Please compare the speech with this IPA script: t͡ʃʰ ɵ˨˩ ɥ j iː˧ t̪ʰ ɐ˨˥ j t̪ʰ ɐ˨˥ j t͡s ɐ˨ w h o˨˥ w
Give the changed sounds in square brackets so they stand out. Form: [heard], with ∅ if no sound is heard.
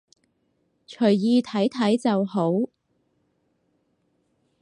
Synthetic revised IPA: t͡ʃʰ ɵ˨˩ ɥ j iː˧ t̪ʰ ɐ˨˥ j t̪ʰ ɐ˨˥ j t͡s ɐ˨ w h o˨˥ w